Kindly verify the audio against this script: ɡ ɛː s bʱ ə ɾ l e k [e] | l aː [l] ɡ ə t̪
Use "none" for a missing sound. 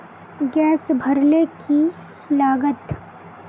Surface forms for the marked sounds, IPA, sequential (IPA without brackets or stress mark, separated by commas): i, none